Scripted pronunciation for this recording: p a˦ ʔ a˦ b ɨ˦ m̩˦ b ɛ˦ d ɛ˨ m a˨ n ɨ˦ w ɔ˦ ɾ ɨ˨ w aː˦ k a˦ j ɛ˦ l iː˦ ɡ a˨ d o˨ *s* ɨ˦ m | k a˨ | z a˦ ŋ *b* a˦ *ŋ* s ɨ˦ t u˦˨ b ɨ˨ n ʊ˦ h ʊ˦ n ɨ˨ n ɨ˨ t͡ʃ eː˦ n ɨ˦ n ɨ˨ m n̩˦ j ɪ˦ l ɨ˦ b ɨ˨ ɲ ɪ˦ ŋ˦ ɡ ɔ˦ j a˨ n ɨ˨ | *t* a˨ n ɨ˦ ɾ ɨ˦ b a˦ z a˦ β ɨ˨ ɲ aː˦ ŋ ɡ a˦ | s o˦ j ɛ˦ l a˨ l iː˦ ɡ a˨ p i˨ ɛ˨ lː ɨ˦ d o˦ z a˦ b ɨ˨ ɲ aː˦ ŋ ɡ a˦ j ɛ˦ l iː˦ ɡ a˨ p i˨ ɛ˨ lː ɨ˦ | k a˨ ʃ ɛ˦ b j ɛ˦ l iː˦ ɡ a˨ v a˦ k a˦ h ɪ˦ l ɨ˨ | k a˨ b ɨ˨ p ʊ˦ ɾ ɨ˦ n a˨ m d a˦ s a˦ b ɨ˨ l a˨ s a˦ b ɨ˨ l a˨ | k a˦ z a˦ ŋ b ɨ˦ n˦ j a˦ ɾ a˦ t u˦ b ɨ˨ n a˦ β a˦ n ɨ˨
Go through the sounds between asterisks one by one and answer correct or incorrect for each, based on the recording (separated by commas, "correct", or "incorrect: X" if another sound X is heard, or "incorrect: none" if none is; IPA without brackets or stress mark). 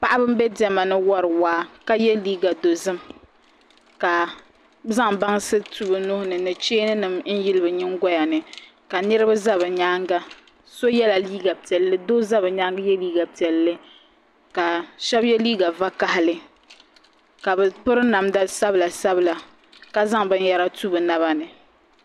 incorrect: z, correct, correct, incorrect: k